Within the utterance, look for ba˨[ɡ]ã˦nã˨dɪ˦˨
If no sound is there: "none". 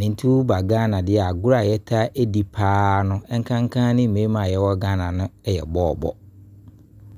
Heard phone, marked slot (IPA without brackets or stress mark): ɡ